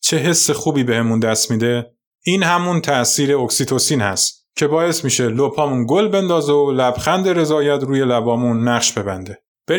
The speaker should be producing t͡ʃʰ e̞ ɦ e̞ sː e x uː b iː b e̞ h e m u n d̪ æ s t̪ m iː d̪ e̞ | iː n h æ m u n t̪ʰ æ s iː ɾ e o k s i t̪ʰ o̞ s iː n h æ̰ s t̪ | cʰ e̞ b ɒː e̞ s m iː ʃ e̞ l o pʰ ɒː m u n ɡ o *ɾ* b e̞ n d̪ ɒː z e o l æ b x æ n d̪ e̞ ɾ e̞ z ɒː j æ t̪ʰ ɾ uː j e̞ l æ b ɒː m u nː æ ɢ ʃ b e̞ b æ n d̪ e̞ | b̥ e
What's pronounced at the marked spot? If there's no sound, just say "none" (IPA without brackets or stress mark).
l